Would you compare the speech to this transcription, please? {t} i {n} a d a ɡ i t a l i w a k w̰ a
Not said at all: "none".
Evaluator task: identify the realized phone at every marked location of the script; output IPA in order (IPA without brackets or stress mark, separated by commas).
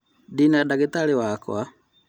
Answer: d, n